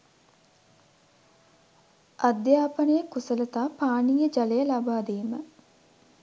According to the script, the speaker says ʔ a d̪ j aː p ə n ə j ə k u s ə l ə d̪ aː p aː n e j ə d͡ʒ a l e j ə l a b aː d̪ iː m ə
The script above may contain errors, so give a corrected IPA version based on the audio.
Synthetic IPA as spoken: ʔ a d̪ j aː p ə n ə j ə k u s ə l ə t̪ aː p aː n i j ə d͡ʒ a l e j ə l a b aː d̪ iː m ə